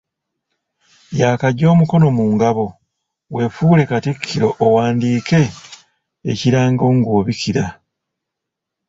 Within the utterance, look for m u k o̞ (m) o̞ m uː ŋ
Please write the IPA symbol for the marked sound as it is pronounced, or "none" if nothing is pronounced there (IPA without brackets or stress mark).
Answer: n